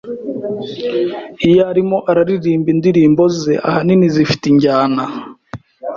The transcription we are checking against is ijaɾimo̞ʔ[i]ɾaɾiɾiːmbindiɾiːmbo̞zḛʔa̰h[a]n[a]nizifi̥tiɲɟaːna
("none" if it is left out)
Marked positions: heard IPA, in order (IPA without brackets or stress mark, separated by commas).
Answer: a, a, i